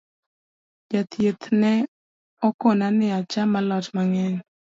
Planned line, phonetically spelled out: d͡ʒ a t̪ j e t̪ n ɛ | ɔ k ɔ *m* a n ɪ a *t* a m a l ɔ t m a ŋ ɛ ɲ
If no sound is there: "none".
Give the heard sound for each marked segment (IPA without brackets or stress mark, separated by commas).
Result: n, t͡ʃ